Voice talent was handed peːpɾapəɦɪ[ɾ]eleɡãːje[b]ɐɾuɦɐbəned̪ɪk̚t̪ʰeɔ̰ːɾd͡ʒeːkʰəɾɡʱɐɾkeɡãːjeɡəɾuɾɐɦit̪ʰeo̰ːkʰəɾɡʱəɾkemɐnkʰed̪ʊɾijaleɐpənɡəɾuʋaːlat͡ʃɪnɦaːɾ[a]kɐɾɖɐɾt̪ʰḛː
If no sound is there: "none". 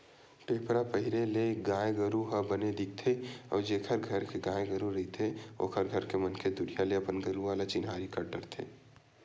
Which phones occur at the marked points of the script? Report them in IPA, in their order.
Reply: ɾ, ɡ, i

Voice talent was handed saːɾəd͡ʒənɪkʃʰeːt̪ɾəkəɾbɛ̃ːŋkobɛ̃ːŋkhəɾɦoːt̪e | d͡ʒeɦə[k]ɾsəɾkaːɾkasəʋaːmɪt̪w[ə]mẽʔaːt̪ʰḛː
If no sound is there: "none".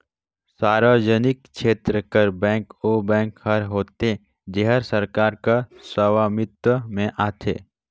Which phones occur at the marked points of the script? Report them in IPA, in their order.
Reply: none, ə

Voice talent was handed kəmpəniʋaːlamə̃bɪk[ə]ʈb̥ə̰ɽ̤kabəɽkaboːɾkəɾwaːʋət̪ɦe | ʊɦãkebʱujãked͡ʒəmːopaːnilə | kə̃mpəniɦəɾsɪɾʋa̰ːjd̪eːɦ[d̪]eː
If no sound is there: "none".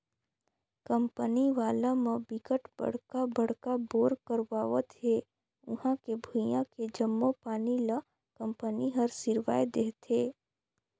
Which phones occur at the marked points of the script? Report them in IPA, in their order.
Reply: ə, t̪

